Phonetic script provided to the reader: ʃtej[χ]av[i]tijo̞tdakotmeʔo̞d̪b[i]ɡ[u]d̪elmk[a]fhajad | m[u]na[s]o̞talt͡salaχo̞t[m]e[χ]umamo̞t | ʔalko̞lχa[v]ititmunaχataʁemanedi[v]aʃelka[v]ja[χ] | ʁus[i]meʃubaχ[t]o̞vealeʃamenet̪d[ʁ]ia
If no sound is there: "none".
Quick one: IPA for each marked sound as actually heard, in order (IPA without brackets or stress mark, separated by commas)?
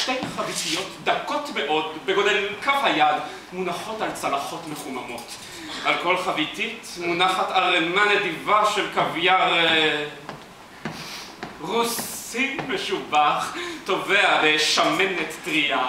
χ, i, e, o, a, u, χ, m, χ, v, v, v, ʁ, i, t, ʁ